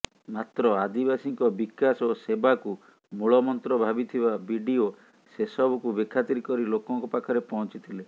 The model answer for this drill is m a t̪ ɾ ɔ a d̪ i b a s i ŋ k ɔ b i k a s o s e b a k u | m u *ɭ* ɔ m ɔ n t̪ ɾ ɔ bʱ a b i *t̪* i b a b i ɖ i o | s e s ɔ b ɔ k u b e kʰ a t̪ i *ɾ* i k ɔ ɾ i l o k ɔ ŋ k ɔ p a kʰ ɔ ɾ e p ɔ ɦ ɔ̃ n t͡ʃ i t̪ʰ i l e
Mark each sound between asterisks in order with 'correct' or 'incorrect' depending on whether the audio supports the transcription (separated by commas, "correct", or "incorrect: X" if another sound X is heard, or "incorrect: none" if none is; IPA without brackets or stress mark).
correct, incorrect: t̪ʰ, correct